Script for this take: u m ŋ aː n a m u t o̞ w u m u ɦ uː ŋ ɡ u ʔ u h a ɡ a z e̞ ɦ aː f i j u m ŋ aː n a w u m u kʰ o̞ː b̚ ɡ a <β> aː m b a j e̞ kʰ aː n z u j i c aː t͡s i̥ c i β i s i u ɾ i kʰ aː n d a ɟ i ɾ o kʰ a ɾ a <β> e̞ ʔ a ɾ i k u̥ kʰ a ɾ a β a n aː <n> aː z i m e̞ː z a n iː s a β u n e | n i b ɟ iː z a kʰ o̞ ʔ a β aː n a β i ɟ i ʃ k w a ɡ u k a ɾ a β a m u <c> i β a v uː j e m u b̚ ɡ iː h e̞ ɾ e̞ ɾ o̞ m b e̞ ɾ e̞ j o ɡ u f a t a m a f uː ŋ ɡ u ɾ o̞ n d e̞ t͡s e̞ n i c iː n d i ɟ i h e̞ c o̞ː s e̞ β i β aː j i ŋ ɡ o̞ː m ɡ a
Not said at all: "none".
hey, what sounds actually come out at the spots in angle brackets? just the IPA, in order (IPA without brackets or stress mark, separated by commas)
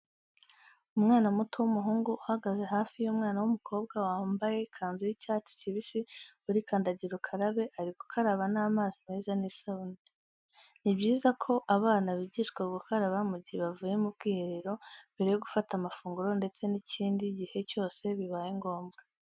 w, β, m, ɟ